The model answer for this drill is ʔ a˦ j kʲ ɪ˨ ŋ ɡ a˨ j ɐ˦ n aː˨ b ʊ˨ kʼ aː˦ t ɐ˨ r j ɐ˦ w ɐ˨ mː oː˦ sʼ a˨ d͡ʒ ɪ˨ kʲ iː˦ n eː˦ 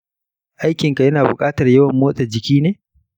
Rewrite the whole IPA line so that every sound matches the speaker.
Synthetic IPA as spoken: ʔ a˦ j kʲ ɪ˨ ŋ k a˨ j ɐ˦ n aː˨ b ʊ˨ kʼ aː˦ t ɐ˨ r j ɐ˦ w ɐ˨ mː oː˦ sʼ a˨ d͡ʒ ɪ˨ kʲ iː˦ n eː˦